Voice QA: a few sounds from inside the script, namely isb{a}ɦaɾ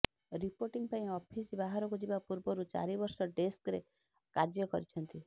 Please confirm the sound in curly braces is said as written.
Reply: yes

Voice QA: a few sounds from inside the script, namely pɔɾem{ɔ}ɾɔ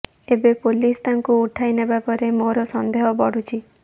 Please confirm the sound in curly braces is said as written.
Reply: no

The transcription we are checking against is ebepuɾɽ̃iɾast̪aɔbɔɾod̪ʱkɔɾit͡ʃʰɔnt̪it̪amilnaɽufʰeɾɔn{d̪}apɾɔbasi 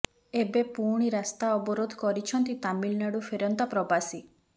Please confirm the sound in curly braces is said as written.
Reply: no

